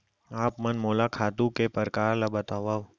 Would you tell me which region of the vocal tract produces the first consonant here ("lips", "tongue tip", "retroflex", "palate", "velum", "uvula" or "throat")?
lips